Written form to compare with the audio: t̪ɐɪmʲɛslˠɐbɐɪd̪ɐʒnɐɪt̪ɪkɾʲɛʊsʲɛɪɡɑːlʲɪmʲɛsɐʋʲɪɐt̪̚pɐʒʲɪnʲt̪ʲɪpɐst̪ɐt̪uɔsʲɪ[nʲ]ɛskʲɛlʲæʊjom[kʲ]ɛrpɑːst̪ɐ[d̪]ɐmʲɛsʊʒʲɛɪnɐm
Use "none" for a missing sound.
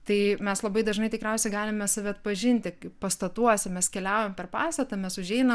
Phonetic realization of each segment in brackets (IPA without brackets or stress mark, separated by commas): mʲ, pʲ, t̪